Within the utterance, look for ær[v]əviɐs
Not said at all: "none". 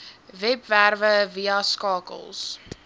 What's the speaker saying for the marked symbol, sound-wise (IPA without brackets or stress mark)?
v